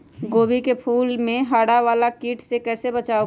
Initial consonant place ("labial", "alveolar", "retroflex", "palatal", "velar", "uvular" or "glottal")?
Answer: velar